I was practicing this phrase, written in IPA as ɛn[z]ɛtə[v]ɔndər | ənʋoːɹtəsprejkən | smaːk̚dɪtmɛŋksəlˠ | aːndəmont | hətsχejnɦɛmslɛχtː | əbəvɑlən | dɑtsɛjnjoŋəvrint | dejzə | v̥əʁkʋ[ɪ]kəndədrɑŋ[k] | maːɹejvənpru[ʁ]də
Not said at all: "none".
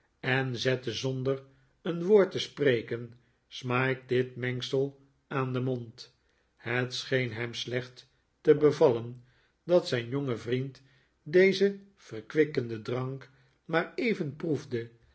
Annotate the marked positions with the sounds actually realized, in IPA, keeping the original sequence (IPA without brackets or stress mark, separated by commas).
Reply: z, z, ɪ, k, v